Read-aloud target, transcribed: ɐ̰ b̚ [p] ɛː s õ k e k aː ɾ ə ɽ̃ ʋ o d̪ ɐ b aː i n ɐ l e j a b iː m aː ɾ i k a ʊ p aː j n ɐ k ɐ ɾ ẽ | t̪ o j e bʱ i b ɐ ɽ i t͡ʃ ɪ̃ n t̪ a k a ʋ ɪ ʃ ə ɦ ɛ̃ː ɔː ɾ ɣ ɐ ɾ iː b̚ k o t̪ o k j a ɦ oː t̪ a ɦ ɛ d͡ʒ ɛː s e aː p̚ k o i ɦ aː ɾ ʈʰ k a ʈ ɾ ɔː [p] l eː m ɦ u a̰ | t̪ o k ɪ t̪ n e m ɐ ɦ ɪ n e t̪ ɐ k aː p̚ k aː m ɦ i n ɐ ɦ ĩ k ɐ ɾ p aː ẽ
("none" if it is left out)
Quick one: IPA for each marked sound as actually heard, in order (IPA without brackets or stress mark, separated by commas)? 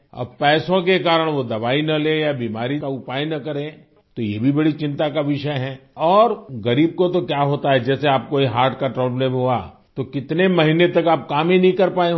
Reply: p, b